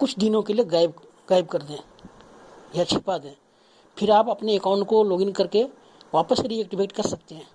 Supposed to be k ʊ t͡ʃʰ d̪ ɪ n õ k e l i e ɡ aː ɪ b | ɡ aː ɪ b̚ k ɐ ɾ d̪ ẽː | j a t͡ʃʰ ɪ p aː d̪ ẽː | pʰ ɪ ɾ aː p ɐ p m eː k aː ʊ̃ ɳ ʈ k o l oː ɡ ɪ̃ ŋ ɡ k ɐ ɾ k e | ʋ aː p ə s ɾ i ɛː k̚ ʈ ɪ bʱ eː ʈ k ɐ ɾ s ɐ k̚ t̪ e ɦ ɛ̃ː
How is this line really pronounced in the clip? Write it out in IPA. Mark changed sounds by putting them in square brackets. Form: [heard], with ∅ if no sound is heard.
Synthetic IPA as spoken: k ʊ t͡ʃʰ d̪ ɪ n õ k e l i e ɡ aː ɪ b | ɡ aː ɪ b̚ k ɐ ɾ d̪ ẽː | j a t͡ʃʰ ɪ p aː d̪ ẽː | pʰ ɪ ɾ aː p ɐ p [n] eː k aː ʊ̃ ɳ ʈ k o l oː ɡ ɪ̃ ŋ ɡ k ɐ ɾ k e | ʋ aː p ə s ɾ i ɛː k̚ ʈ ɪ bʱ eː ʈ k ɐ ɾ s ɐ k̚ t̪ e ɦ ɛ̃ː